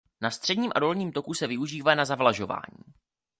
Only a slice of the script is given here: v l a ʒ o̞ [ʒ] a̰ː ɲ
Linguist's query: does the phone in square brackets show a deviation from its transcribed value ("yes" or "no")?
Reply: yes